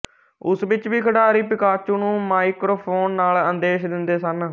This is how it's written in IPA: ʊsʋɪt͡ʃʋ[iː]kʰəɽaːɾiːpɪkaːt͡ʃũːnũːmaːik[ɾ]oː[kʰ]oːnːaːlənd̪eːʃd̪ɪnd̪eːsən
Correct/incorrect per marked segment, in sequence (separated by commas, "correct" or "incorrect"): correct, correct, incorrect